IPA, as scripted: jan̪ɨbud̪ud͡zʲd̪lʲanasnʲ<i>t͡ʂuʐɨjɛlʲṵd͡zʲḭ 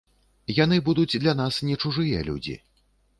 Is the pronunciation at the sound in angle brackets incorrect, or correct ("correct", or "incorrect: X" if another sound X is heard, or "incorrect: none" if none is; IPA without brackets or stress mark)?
incorrect: ɛ